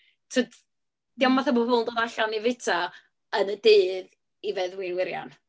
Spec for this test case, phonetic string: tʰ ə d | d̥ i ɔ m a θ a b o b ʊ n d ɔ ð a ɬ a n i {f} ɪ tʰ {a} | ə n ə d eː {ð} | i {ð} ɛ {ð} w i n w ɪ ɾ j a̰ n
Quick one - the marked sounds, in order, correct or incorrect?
incorrect, correct, correct, incorrect, correct

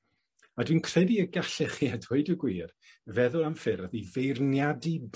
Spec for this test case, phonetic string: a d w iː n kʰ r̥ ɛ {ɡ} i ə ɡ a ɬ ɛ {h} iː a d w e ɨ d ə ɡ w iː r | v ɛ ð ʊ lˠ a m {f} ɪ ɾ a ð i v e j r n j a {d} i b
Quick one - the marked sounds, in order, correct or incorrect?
incorrect, incorrect, correct, correct

